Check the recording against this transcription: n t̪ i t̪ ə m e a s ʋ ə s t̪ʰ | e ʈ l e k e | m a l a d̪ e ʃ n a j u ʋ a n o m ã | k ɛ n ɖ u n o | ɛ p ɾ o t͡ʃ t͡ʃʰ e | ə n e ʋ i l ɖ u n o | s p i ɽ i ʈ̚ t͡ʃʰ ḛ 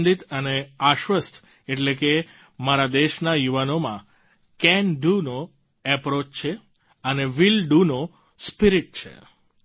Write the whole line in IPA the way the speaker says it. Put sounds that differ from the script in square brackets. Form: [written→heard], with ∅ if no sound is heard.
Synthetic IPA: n [t̪→d̪] i t̪ ə [m→n] e a [s→ʃ] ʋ ə s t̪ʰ | e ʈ l e k e | m a [l→ɾ] a d̪ e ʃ n a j u ʋ a n o m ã | k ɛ n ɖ u n o | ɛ p ɾ o t͡ʃ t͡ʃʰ e | ə n e ʋ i l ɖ u n o | s p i [ɽ→ɾ] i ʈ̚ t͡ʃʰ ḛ